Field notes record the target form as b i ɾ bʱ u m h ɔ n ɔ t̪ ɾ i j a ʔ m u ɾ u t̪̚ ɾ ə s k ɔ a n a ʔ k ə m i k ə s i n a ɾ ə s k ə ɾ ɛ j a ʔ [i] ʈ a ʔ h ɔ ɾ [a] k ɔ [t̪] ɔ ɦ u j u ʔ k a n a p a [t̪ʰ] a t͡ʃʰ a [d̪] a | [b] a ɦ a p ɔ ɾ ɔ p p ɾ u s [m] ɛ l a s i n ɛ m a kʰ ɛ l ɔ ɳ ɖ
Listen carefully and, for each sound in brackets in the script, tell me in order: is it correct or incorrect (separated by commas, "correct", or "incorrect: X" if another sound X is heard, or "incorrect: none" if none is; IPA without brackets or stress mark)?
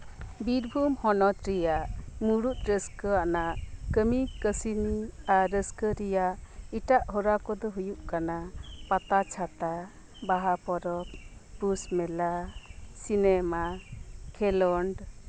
correct, correct, incorrect: d̪, incorrect: t̪, incorrect: t̪, correct, correct